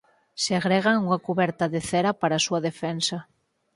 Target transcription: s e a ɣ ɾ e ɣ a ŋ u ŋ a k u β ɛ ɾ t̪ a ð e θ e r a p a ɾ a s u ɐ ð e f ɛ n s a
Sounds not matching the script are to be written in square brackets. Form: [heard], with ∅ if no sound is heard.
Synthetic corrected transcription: s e a ɣ ɾ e ɣ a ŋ u ŋ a k u β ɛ ɾ t̪ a ð e θ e [ɾ] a p a ɾ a s u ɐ ð e f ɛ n s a